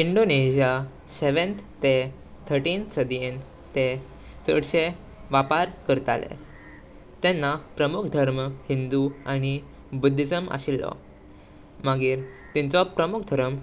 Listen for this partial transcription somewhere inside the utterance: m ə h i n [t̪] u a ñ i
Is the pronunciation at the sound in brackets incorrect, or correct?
incorrect